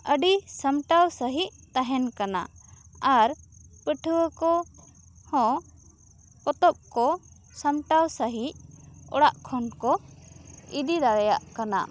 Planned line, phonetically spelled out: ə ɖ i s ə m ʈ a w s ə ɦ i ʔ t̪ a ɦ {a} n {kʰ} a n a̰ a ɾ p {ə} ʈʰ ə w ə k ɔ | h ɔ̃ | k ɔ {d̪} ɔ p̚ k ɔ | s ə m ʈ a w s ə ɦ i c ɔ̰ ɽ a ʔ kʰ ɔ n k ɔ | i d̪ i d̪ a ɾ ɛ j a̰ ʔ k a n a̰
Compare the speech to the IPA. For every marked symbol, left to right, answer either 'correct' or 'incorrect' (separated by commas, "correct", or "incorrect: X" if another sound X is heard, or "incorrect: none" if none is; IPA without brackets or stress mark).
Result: incorrect: ɛ, incorrect: k, correct, incorrect: t̪